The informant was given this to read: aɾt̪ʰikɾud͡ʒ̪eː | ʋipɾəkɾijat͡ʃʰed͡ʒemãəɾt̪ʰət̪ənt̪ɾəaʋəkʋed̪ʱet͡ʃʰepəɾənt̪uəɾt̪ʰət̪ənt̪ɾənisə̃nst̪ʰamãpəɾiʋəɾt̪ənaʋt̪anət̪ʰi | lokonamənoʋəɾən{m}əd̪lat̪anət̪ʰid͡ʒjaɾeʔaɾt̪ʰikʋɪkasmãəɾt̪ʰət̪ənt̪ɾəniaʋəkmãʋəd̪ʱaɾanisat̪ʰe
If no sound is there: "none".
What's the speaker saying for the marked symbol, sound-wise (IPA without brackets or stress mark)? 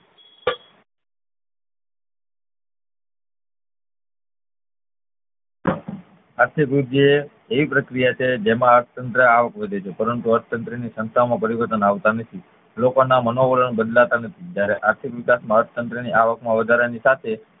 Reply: b